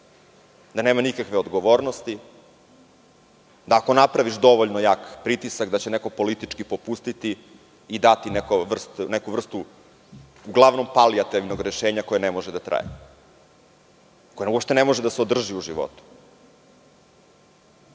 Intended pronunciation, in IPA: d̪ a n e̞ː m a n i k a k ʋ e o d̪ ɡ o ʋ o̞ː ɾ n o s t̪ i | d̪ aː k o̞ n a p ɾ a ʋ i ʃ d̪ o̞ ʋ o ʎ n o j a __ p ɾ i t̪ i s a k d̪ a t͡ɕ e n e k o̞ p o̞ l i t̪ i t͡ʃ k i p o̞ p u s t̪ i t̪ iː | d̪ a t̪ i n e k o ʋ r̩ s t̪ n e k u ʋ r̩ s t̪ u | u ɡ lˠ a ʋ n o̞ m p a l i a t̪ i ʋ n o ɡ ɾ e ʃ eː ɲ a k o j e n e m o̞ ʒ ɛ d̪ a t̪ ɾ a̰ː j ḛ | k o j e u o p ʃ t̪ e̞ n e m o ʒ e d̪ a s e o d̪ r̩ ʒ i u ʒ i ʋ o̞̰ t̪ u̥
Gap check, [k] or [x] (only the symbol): k